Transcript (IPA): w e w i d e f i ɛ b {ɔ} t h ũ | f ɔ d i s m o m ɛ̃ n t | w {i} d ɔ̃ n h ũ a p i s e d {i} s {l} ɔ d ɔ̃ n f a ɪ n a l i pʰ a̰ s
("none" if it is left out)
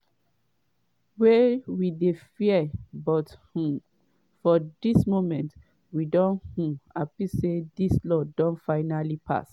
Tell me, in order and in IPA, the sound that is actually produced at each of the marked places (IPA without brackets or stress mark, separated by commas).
ɔ, i, i, l